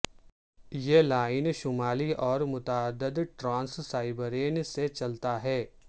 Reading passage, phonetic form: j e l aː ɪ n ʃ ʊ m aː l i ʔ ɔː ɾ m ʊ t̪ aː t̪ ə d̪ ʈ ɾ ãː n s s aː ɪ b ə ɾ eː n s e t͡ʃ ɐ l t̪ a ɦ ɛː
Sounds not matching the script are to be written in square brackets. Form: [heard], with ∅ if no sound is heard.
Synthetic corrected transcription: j e l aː ɪ n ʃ ʊ m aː l i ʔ ɔː ɾ m ʊ t̪ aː [d̪] ə d̪ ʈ ɾ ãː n s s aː ɪ b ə ɾ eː n s e t͡ʃ ɐ l t̪ a ɦ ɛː